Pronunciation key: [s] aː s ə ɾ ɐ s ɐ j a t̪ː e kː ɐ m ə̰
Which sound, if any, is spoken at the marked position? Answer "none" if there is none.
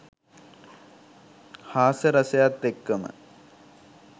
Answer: h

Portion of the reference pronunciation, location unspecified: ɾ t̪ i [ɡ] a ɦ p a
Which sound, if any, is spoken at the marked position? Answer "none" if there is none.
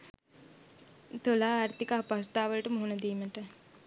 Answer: k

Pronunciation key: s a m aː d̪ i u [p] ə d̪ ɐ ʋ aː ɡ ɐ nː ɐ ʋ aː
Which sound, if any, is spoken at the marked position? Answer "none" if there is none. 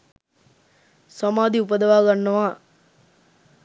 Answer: p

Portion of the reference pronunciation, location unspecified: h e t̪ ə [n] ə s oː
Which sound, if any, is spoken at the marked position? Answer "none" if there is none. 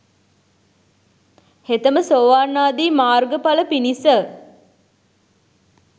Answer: m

